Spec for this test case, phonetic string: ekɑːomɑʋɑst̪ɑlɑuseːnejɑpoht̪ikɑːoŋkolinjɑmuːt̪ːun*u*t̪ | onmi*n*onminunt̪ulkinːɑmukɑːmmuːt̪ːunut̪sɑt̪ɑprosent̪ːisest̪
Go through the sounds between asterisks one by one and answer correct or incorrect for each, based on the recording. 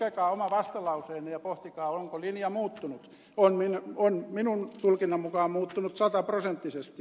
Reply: correct, correct

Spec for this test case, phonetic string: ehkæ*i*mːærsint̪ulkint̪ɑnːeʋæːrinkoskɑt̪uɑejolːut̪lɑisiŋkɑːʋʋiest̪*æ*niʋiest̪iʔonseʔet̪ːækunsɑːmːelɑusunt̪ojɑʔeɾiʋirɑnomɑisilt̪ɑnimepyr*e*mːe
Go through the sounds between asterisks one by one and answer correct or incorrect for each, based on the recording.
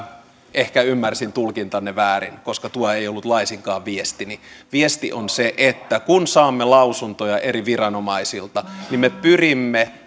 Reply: incorrect, incorrect, incorrect

